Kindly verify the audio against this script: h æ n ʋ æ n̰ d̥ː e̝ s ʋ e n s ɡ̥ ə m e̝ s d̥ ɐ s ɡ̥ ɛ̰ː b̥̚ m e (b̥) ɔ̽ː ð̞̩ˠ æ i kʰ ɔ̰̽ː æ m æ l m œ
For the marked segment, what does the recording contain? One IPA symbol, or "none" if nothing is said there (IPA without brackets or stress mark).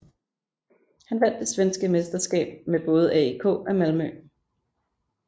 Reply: b̥